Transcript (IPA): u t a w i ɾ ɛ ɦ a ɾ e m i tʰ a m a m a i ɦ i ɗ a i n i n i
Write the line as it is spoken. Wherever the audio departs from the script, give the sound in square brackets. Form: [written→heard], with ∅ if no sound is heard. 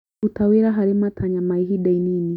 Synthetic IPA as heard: u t a w i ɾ [ɛ→a] ɦ a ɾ [e→i] m [i→a] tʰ a [m→ɲ] a m a i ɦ i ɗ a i n i n i